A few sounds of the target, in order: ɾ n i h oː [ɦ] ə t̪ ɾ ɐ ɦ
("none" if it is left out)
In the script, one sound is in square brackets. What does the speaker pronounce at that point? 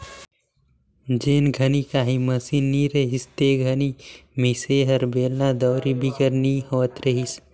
none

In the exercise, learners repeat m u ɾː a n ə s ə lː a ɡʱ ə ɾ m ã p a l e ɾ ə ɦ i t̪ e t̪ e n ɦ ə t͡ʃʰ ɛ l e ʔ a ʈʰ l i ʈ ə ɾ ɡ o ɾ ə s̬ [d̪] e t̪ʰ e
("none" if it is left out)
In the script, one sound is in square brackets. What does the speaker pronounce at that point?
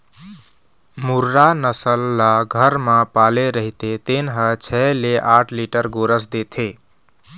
d̪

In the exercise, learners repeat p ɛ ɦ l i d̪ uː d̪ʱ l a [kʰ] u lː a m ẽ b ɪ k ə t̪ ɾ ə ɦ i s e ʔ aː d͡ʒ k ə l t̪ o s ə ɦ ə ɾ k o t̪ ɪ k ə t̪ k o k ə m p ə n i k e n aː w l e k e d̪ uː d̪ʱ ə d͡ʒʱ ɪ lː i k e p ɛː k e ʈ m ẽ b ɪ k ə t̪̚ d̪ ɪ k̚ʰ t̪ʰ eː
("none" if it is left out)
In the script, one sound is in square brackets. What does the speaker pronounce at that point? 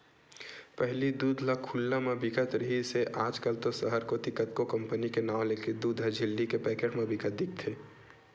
kʰ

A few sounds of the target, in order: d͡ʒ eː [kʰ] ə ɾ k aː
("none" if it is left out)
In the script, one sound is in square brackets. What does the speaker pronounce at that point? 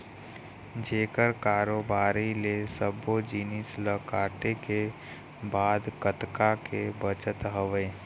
k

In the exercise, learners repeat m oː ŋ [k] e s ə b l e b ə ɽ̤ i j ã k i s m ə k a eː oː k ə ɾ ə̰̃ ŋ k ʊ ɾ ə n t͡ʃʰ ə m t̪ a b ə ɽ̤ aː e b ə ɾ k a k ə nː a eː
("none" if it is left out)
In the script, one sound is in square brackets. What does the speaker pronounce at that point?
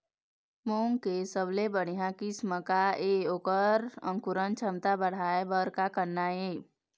k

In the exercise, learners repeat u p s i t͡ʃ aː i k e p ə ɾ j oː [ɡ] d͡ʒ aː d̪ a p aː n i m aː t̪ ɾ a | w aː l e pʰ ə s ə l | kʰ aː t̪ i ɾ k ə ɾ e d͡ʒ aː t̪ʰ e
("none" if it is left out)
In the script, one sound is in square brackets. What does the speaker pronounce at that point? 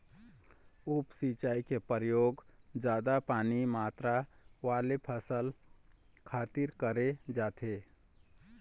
ɡ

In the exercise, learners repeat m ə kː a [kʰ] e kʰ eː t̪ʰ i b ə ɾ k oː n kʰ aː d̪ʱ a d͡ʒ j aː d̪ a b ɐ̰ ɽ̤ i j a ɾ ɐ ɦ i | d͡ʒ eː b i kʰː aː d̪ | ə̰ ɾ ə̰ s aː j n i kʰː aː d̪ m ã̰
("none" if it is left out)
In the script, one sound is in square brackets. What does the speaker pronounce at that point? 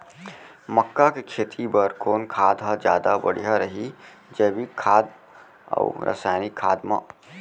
k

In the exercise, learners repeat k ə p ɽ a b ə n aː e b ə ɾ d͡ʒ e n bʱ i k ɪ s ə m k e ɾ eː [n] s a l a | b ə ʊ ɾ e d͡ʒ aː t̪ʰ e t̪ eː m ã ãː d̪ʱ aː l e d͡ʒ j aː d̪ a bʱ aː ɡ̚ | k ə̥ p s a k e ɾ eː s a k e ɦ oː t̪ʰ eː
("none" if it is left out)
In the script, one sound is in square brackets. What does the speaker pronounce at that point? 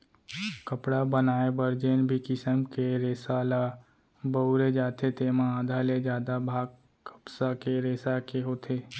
none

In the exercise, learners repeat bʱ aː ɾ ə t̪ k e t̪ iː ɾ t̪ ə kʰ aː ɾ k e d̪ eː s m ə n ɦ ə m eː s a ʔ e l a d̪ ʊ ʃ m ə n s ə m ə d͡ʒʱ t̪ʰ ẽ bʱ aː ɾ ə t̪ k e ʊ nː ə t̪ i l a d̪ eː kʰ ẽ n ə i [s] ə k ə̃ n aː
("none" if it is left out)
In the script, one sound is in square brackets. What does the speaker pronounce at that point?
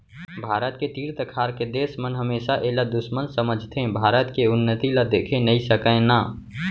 s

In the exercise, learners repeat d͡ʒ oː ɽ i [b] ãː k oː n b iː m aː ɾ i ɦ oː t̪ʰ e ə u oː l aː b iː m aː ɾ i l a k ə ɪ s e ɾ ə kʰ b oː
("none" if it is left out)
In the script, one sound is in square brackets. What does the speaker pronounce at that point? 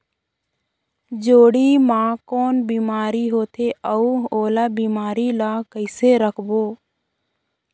m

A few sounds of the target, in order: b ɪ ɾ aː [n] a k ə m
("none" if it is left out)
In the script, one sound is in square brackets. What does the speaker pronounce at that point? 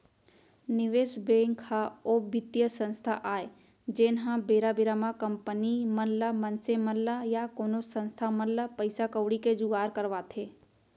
m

